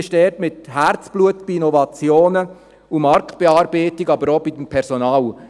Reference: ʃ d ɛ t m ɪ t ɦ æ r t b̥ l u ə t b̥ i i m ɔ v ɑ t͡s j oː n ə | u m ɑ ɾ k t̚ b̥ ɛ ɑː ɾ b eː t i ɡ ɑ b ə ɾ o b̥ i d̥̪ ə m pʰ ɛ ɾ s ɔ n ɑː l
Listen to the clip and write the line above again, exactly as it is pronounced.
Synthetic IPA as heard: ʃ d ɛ t m ɪ t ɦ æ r t͡s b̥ l u ə t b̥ i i n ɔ v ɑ t͡s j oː n ə | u m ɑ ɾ k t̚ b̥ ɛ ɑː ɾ b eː t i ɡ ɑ b ə ɾ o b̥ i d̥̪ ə m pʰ ɛ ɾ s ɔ n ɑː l